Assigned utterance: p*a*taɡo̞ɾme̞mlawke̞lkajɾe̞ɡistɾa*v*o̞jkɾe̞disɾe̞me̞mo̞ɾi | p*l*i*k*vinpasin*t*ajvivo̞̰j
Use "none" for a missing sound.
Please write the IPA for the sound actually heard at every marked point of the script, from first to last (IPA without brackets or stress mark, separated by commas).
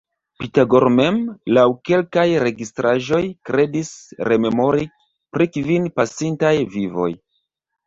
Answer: i, ʒ, ɾ, k, t